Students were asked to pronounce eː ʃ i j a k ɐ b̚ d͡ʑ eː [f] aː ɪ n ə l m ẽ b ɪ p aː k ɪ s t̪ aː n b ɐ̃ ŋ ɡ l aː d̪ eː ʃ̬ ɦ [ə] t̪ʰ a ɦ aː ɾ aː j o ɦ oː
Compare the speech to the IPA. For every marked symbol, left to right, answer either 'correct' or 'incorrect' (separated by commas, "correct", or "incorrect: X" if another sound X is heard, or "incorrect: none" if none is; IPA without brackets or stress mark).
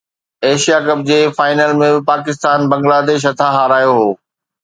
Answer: correct, incorrect: ɐ